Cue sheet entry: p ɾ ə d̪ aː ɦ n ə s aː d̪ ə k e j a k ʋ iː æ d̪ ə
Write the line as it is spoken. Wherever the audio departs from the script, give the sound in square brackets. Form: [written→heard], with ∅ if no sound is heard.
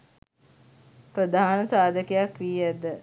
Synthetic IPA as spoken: p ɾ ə d̪ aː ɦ n ə s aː d̪ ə k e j a k ʋ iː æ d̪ ə